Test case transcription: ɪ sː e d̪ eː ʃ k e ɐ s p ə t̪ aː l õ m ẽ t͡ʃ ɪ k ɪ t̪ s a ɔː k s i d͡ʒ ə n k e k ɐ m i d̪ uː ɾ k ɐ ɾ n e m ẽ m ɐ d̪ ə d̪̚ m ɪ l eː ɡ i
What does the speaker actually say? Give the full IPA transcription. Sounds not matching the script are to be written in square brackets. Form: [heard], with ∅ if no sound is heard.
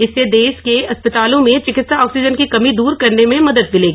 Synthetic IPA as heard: ɪ sː e d̪ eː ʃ k e ɐ s p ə t̪ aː l õ m ẽ t͡ʃ ɪ k ɪ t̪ s a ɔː k s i d͡ʒ ə n k [i] k ɐ m i d̪ uː ɾ k ɐ ɾ n e m ẽ m ɐ d̪ ə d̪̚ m ɪ l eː ɡ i